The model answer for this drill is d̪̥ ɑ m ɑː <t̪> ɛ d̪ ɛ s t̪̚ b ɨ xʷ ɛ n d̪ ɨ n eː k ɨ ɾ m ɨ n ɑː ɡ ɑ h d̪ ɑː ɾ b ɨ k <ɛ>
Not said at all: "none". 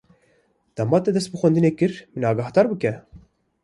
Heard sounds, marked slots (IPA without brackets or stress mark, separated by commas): t̪, ɛ